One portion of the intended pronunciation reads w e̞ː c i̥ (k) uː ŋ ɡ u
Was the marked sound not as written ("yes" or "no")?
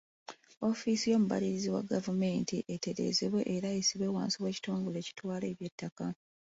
yes